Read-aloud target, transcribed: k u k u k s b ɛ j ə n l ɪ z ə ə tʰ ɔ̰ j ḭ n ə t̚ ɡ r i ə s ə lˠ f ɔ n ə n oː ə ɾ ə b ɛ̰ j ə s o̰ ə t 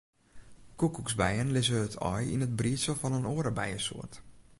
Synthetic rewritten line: k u k u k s b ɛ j ə n l ɪ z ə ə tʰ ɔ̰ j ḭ n ə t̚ b r i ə s ə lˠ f ɔ n ə n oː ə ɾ ə b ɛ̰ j ə s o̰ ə t